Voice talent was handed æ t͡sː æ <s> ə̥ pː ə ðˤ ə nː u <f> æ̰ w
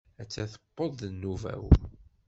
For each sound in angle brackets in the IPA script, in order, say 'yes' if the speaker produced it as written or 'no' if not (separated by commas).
no, no